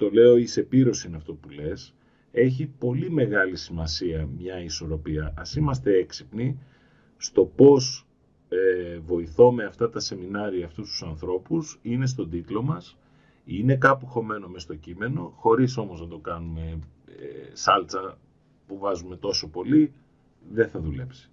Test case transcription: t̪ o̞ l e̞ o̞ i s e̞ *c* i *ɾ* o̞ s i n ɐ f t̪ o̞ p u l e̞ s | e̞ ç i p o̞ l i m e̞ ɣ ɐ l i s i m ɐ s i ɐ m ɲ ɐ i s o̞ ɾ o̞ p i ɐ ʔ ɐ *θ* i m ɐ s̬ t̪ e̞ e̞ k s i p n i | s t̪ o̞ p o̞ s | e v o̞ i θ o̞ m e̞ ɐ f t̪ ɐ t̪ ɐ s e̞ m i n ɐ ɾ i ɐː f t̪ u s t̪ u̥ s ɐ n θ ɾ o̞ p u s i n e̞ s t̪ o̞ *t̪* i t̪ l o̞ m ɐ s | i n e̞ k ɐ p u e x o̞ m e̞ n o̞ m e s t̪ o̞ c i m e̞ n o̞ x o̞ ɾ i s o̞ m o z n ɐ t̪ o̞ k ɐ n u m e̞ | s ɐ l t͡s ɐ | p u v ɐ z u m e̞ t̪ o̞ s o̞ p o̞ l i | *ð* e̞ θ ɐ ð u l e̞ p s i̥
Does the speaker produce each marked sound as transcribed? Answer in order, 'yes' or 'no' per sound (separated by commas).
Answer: no, yes, no, no, yes